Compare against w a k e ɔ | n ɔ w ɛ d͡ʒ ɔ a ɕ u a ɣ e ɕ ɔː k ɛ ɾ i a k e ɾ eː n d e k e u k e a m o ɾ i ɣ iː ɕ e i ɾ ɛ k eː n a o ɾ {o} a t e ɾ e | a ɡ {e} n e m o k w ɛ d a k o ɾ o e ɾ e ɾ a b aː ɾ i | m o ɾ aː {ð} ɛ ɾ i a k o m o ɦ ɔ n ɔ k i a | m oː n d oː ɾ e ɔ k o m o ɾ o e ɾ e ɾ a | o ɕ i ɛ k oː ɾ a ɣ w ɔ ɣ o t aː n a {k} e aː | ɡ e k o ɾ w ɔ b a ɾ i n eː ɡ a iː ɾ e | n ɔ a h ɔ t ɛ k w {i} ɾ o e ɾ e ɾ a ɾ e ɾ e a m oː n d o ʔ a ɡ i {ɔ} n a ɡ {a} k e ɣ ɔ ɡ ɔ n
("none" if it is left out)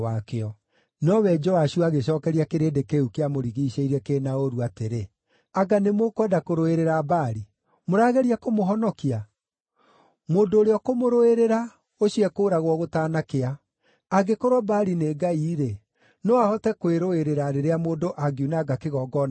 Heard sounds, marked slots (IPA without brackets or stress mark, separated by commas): u, a, ɣ, k, e, u, a